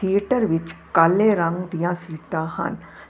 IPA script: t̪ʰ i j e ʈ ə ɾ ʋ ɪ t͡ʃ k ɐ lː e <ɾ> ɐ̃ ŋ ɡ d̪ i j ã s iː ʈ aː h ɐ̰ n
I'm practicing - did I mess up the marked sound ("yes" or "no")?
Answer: no